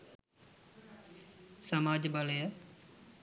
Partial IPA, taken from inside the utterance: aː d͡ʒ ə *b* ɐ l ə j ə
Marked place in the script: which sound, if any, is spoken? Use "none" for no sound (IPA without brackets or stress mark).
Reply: b